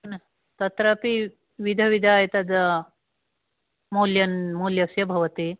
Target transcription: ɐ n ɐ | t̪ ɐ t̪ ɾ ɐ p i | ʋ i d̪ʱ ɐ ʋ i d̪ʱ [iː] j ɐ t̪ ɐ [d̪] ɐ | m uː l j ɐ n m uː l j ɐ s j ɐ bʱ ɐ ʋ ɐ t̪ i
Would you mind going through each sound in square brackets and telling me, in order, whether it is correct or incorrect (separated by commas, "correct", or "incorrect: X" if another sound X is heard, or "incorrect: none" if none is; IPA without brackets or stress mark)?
incorrect: aː, correct